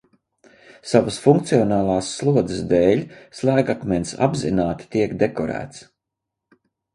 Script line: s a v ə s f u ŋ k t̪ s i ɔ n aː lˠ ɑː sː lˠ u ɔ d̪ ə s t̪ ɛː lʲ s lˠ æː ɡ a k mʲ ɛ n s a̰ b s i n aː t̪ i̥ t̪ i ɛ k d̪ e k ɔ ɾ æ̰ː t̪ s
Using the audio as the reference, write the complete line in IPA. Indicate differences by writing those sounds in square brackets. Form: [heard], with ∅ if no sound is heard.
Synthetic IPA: s a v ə s f u ŋ k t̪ s i ɔ n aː lˠ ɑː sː lˠ u ɔ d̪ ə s [d̪] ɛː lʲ s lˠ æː ɡ a k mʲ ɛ n s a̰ b [z] i n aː t̪ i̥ t̪ i ɛ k d̪ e k ɔ ɾ æ̰ː t̪ s

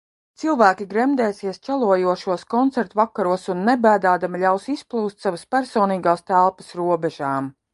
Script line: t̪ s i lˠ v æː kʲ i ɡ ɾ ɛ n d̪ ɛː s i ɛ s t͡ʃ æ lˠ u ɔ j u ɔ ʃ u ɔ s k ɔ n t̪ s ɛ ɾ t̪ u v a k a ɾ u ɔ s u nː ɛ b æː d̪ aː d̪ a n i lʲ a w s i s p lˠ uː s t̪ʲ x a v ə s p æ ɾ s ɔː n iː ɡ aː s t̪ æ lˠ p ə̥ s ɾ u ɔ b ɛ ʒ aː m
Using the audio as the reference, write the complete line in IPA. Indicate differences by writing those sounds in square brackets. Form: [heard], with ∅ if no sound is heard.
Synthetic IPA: t̪ s i lˠ v æː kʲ i ɡ ɾ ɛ [m] d̪ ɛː s i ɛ s t͡ʃ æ lˠ u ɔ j u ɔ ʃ u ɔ s k ɔ n t̪ s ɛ ɾ t̪ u v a k a ɾ u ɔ s u nː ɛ b æː d̪ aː d̪ a [m] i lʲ a w s i s p lˠ uː s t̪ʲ [s] a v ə s p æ ɾ s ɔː n iː ɡ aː s t̪ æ lˠ p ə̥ s ɾ u ɔ b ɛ ʒ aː m

